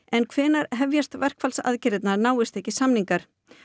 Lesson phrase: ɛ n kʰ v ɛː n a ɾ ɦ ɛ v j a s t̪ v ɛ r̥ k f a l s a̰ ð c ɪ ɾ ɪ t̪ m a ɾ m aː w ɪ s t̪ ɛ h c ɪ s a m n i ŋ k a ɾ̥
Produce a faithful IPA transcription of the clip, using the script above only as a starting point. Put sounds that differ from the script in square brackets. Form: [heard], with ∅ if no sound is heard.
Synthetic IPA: ɛ n kʰ v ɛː n a ɾ ɦ ɛ v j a s t̪ v ɛ r̥ k f a l s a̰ ð c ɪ ɾ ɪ t̪ [n] a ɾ [n] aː w ɪ s t̪ ɛ h c ɪ s a m n i ŋ k a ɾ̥